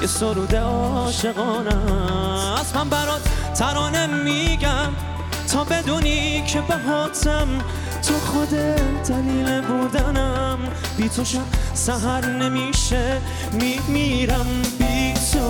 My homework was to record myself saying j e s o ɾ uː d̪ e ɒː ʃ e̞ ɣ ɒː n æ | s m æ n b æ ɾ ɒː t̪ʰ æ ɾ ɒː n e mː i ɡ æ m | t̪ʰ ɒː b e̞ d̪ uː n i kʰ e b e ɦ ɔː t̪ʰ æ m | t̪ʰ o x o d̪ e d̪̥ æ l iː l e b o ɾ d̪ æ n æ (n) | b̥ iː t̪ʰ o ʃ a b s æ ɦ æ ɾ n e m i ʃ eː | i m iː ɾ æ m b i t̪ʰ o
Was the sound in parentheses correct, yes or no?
no